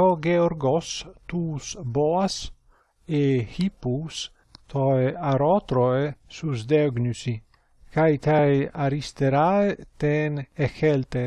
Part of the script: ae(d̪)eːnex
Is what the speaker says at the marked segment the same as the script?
no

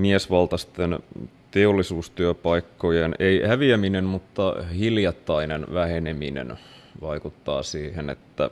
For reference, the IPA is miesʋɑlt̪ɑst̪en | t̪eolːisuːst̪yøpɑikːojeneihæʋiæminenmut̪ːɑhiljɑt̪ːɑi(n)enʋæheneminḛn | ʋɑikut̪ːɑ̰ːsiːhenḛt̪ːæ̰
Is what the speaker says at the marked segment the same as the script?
yes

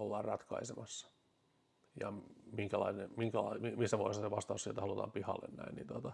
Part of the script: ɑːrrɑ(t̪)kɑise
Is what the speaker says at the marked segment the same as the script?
yes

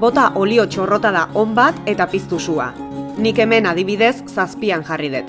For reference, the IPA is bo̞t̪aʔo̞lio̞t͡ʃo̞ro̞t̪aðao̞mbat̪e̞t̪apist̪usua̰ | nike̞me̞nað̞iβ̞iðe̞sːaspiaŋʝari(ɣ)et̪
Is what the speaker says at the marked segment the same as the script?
no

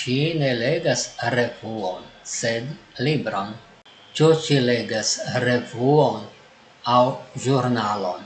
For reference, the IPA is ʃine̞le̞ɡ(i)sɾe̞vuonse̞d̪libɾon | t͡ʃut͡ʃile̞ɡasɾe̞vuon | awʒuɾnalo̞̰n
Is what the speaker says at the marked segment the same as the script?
no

